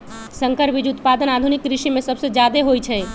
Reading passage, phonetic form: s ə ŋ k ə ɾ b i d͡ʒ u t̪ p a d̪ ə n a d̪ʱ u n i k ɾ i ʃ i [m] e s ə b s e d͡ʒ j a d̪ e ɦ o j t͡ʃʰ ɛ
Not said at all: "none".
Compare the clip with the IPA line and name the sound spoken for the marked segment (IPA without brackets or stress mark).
m